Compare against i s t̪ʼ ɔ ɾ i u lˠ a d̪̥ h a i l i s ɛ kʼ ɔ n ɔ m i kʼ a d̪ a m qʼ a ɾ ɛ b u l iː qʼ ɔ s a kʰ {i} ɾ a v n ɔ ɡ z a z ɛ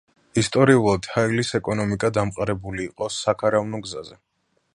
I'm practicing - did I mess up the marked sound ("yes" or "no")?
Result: yes